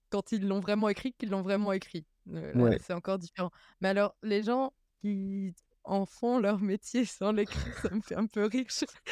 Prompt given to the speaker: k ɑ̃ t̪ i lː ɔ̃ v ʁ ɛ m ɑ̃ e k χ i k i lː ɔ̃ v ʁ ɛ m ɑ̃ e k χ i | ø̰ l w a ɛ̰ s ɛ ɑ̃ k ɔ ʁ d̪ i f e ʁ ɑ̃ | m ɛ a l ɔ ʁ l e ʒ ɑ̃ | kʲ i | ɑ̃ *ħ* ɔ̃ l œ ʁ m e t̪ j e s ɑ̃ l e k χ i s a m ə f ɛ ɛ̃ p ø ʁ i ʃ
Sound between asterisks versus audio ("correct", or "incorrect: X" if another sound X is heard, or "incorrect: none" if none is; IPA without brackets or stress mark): incorrect: f